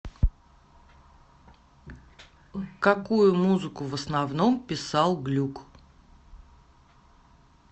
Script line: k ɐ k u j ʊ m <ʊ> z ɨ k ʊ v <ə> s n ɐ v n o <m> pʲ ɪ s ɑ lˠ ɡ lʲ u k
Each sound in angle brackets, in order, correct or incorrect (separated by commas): incorrect, correct, correct